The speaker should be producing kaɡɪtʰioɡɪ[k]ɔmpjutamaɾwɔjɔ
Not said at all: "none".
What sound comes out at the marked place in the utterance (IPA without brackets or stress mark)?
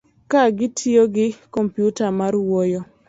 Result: k